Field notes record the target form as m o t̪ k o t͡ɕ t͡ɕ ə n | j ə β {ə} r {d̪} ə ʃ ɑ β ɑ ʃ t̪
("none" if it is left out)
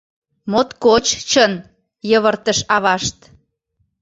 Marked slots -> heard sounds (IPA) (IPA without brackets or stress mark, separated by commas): ə, t̪